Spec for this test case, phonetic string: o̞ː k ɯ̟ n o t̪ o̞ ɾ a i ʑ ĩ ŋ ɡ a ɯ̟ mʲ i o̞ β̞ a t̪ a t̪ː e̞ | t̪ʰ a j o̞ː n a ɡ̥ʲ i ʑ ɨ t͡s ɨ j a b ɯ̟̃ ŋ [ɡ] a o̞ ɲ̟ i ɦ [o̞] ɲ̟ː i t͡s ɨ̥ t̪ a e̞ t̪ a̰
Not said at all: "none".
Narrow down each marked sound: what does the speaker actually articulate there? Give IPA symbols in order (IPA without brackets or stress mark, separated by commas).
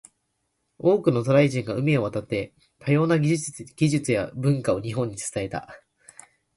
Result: k, õ̞